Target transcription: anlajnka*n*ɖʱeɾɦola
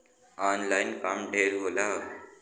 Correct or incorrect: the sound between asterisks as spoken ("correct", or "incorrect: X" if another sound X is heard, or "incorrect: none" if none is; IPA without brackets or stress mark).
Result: incorrect: m